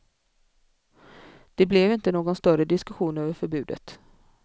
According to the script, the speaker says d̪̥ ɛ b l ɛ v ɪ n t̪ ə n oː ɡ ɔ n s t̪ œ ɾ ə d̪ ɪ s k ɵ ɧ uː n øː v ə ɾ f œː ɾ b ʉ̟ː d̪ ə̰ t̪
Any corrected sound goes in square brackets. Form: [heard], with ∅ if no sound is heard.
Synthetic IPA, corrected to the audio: d̪̥ ɛ b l ɛ v ɪ n t̪ ə n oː ɡ ɔ n s t̪ œ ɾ ə d̪ ɪ s k ɵ ɧ uː n øː v ə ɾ f [œ] ɾ b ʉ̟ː d̪ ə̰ t̪